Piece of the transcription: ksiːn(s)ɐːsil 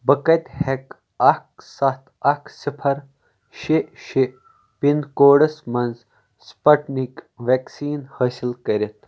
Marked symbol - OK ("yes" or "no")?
no